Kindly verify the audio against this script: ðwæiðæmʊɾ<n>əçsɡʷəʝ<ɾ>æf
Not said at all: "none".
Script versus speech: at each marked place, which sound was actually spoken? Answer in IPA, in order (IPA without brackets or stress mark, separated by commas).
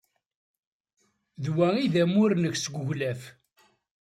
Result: n, l